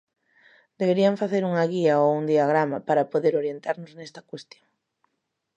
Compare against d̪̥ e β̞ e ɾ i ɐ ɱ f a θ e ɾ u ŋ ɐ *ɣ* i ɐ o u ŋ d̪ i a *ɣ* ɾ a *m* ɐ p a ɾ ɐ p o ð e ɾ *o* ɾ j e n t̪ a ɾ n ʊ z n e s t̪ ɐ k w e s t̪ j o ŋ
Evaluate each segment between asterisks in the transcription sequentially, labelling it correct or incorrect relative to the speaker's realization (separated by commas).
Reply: correct, correct, correct, correct